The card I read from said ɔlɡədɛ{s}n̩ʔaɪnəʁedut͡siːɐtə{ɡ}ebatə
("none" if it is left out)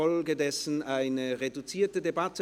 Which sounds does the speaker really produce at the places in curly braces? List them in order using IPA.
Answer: s, d

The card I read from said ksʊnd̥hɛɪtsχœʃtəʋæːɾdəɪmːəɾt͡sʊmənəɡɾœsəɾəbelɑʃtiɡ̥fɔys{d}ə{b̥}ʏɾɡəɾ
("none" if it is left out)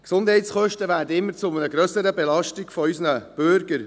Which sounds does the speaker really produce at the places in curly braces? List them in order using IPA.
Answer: n, b̥

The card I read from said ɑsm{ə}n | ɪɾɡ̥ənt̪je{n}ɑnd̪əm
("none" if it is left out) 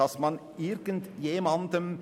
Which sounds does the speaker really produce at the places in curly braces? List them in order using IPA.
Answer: ɑ, m

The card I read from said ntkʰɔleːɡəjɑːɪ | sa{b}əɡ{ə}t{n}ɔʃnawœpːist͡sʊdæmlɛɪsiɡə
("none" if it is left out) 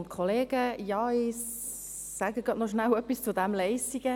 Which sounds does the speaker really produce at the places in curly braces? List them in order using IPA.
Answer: ɡ, ɑ, n

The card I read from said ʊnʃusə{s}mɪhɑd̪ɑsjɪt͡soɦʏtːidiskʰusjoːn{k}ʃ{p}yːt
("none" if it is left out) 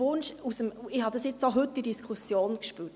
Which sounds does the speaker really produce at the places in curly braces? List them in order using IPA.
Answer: none, k, p

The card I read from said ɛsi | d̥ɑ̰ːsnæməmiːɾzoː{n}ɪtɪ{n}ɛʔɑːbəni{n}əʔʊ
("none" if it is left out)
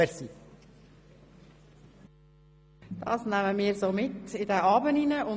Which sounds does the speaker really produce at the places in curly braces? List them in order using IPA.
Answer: m, d, n

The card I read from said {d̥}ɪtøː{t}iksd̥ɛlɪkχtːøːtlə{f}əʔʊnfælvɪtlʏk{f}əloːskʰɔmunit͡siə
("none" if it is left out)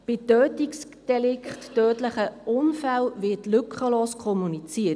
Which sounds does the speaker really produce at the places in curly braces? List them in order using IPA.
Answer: b̥, t, χ, χ

